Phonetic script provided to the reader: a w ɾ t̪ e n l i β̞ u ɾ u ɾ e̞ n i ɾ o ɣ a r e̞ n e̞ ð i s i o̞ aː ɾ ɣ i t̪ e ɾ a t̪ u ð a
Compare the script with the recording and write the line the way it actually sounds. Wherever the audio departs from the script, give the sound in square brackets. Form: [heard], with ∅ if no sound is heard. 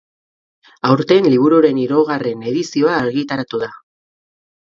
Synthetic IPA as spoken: a w ɾ t̪ e n l i β̞ u ɾ u ɾ e̞ n i ɾ o ɣ a r e̞ n e̞ ð i s i o̞ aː ɾ ɣ i t̪ [a] ɾ a t̪ u ð a